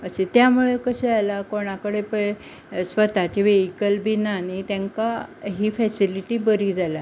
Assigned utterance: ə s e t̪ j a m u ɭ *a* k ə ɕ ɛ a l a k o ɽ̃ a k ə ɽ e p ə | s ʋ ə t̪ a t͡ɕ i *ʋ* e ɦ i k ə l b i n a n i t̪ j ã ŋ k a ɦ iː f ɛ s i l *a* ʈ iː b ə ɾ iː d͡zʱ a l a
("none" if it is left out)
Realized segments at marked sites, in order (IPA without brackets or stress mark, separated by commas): e, ʋ, i